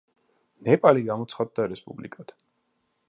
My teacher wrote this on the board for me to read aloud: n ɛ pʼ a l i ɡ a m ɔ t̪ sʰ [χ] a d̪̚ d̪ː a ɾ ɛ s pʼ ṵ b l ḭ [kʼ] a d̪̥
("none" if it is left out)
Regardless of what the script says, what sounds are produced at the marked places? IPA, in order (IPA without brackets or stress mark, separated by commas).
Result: χ, kʼ